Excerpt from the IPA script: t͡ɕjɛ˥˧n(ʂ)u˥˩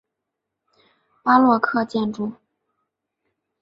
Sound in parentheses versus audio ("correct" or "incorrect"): incorrect